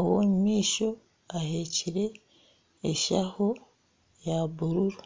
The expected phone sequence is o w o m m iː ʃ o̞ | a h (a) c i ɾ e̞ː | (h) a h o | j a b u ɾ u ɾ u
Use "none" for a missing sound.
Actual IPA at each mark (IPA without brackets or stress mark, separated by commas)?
e, ʃ